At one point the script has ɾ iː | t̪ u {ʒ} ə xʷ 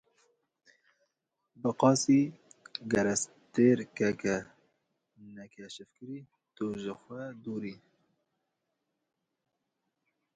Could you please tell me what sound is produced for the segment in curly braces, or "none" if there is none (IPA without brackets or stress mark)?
ʒ